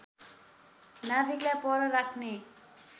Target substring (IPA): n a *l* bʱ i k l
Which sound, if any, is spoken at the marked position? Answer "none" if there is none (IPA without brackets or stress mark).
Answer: none